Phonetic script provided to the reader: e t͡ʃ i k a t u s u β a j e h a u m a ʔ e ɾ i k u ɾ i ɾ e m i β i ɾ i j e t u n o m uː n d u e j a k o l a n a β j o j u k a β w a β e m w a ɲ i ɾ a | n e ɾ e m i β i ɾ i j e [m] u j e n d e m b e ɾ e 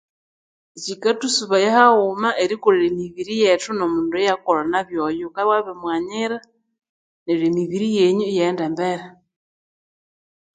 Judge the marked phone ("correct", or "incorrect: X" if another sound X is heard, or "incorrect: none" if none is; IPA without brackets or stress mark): incorrect: ɲ